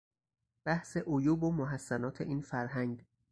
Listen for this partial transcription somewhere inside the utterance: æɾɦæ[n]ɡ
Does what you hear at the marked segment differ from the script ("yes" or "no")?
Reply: yes